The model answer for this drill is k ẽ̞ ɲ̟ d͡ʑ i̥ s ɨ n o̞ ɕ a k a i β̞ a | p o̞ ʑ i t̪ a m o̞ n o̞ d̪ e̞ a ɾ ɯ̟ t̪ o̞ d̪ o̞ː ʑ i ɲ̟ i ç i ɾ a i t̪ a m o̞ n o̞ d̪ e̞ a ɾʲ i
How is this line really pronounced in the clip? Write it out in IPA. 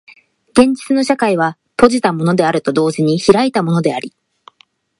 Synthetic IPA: ɡ ẽ̞ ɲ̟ d͡ʑ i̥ t͡s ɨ n o̞ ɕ a k a i β̞ a | p o̞ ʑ i t̪ a m o̞ n o̞ d̪ e̞ a ɾ ɯ̟ t̪ o̞ d̪ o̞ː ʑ i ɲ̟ i ç i ɾ a i t̪ a m o̞ n o̞ d̪ e̞ a ɾʲ i

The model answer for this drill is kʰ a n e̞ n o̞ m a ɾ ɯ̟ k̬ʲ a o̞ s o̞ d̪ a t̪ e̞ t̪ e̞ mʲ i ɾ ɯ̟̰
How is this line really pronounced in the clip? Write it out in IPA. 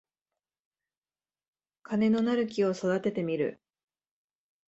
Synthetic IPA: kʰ a n e̞ n o̞ n a ɾ ɯ̟ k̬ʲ i o̞ s o̞ d̪ a t̪ e̞ t̪ e̞ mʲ i ɾ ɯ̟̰

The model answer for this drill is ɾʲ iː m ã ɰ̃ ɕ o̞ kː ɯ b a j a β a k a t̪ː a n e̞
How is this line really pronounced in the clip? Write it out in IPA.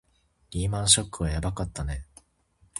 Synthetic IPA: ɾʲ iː m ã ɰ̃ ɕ o̞ kː ɯ β a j a b a k a t̪ː a n e̞

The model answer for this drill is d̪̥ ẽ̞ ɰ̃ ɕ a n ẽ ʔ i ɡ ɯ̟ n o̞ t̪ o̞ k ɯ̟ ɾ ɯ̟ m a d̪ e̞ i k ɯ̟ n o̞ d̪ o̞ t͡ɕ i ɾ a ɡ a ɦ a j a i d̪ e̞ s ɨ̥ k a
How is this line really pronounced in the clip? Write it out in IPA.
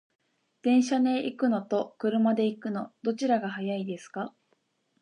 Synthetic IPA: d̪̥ ẽ̞ ɰ̃ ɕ a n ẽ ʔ i k ɯ̟ n o̞ t̪ o̞ k ɯ̟ ɾ ɯ̟ m a d̪ e̞ i k ɯ̟ n o̞ d̪ o̞ t͡ɕ i ɾ a ɡ a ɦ a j a i d̪ e̞ s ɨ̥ k a

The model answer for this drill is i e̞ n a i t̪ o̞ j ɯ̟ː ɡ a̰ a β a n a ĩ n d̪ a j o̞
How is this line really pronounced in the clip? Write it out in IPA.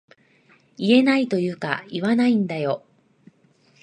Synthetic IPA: i e̞ n a i t̪ o̞ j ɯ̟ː k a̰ i β a n a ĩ n d̪ a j o̞

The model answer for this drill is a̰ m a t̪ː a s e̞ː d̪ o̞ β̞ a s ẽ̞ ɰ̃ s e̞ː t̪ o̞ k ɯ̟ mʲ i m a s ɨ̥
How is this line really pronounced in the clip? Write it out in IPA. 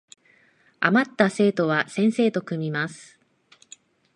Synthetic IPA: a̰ m a t̪ː a s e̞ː t̪ o̞ β̞ a s ẽ̞ ɰ̃ s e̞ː t̪ o̞ k ɯ̟ mʲ i m a s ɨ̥

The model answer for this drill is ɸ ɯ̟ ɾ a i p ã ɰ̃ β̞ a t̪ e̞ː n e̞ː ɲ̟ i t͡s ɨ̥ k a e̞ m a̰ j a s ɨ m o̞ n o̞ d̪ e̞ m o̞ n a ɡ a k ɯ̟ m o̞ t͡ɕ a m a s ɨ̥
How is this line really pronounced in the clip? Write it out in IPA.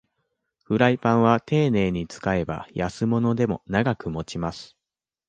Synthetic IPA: ɸ ɯ̟ ɾ a i p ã ɰ̃ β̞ a t̪ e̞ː n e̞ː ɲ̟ i t͡s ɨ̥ k a e̞ b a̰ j a s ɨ m o̞ n o̞ d̪ e̞ m o̞ n a ɡ a k ɯ̟ m o̞ t͡ɕ i m a s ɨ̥

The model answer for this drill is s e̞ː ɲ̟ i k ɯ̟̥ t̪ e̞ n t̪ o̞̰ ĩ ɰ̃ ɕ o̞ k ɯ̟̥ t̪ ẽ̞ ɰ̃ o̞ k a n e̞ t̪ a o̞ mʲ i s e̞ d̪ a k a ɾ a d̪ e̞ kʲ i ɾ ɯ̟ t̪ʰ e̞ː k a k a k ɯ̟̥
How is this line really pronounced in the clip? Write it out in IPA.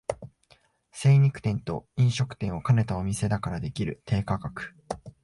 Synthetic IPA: s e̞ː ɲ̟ i k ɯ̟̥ t̪ ẽ̞ n t̪ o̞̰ ĩ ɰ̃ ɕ o̞ k ɯ̟̥ t̪ ẽ̞ ɰ̃ o̞ k a n e̞ t̪ a o̞ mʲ i s e̞ d̪ a k a ɾ a d̪ e̞ kʲ i ɾ ɯ̟ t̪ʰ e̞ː k a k a k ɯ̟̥

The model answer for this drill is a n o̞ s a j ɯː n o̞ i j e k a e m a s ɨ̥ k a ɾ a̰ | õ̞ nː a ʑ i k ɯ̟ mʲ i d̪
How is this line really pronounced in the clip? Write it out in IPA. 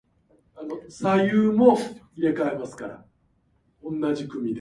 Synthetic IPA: a n o̞ s a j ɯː m o̞ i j e k a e m a s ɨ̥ k a ɾ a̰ | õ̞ nː a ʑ i k ɯ̟ mʲ i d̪

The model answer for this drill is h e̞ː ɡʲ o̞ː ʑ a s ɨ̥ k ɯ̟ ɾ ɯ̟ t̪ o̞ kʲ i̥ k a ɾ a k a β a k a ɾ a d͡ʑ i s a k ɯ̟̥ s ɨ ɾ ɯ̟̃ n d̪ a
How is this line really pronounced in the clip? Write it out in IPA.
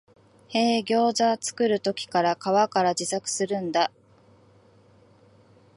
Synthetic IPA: h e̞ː ɡʲ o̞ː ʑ a t͡s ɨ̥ k ɯ̟ ɾ ɯ̟ t̪ o̞ kʲ i̥ k a ɾ a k a β a k a ɾ a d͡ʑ i s a k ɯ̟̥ s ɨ ɾ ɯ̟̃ n d̪ a

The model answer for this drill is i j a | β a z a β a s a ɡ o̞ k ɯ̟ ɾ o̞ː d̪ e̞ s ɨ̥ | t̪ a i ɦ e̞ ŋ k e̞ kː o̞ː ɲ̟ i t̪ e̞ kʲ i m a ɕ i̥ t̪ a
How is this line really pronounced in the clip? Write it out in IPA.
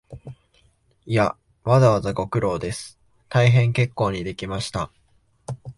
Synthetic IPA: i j a | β a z a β a z a ɡ o̞ k ɯ̟ ɾ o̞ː d̪ e̞ s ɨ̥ | t̪ a i ɦ ẽ̞ ŋ k e̞ kː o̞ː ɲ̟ i d̪ e̞ kʲ i m a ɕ i̥ t̪ a

